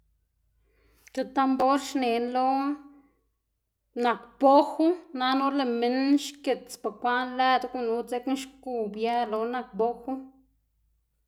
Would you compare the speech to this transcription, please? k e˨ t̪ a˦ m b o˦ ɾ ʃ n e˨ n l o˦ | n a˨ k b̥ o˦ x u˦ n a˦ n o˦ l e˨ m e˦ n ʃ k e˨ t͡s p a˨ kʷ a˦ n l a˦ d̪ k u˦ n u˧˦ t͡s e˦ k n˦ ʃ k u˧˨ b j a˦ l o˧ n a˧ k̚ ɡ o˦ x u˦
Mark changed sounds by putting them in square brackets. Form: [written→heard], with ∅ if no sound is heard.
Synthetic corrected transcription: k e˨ t̪ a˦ m b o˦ ɾ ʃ n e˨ n l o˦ | n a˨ k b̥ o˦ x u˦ n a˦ n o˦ l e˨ m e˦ n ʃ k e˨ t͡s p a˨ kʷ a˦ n l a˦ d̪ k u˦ n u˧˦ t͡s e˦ k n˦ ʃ k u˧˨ b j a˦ l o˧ n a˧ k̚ [ɡ→b] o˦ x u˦